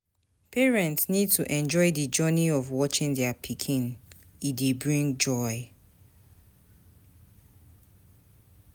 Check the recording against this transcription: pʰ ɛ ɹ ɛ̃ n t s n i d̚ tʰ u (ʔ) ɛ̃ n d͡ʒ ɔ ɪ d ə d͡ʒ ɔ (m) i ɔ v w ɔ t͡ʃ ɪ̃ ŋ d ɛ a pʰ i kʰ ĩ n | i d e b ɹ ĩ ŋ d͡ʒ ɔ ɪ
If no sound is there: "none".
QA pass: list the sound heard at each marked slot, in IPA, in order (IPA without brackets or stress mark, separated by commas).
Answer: ʔ, n